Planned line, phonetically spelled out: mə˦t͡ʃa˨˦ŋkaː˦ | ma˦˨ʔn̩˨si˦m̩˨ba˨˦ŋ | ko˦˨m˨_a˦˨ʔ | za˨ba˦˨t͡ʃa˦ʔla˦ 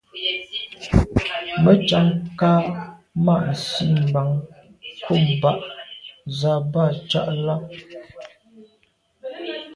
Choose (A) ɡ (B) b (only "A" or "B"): B